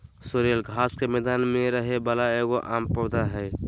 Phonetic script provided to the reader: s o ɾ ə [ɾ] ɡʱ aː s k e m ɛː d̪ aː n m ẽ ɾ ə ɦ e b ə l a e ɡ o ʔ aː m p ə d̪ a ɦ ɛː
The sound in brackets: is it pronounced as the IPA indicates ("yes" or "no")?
no